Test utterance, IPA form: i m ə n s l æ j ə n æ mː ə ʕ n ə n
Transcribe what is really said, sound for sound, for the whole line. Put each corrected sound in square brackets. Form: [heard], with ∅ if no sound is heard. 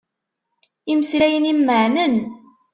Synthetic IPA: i m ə [∅] s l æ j ə n [i] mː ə ʕ n ə n